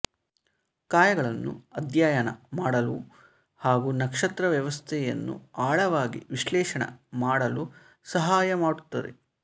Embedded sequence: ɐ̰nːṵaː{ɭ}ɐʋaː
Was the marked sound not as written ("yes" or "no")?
no